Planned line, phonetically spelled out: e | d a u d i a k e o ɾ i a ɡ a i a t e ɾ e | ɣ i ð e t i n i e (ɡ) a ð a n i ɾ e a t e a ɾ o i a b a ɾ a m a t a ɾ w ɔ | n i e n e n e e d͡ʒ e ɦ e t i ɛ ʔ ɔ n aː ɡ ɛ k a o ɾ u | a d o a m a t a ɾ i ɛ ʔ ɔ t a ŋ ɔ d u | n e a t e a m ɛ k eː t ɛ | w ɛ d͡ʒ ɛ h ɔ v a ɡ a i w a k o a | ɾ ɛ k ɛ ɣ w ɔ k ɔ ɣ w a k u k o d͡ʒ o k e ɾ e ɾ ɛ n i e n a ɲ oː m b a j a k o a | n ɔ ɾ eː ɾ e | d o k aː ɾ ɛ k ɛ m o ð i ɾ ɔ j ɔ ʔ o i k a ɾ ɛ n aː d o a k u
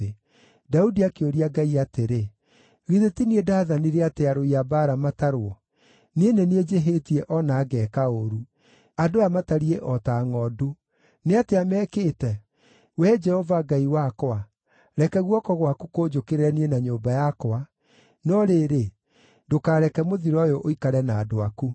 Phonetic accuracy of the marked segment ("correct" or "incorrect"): incorrect